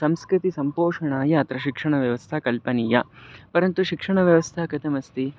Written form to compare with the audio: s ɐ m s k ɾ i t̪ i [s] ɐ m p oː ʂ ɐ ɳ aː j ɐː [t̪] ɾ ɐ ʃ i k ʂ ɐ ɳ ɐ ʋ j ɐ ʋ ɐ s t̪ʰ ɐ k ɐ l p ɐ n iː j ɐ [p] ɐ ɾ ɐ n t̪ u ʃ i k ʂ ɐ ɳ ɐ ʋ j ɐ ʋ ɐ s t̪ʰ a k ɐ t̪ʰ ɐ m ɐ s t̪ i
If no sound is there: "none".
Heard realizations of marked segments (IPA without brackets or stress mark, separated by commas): s, t̪, p